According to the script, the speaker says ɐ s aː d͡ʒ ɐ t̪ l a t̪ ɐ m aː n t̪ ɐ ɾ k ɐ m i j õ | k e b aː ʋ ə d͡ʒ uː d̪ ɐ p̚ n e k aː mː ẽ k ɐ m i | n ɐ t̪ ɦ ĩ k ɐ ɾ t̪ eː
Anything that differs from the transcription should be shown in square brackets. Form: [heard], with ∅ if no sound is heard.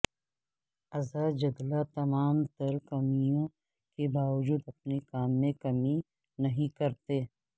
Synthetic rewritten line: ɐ [z] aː d͡ʒ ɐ [d̪] l a t̪ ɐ m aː [m] t̪ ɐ ɾ k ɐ m i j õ | k e b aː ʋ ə d͡ʒ uː d̪ ɐ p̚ n e k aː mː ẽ k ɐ m i | n ɐ [∅] ɦ ĩ k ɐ ɾ t̪ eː